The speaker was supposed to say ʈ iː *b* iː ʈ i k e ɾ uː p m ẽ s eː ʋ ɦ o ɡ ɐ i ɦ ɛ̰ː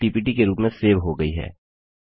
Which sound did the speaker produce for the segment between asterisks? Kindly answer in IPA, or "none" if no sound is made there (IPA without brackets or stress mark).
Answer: p